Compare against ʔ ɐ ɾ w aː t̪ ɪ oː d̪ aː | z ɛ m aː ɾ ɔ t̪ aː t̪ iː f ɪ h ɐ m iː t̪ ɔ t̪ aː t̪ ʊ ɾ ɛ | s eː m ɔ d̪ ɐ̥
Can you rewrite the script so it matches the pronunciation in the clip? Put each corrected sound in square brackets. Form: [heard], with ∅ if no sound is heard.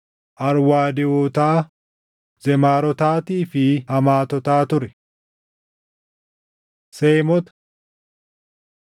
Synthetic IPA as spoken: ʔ ɐ ɾ w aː [d̪] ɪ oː [t̪] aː | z ɛ m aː ɾ ɔ t̪ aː t̪ iː f ɪ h ɐ m [aː] t̪ ɔ t̪ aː t̪ ʊ ɾ ɛ | s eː m ɔ [t̪] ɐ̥